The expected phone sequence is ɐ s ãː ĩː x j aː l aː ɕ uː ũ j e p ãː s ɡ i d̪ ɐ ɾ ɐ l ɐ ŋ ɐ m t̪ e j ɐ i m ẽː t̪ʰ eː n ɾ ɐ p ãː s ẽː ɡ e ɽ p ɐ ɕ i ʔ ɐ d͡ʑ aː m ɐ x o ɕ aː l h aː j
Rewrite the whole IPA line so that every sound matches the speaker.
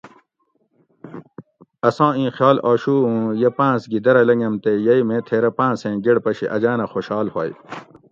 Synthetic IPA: ɐ s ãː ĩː x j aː l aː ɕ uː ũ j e p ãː s ɡ i d̪ ɐ ɾ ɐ l ɐ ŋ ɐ m t̪ e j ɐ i m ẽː t̪ʰ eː ɾ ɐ p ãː s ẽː ɡ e ɽ p ɐ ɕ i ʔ ɐ d͡ʑ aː n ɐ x o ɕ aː l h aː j